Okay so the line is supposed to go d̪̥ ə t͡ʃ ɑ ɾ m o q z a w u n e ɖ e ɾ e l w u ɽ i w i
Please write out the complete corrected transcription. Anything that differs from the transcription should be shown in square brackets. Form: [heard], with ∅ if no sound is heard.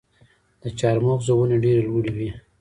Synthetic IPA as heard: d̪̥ ə t͡ʃ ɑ ɾ m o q z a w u n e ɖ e ɾ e l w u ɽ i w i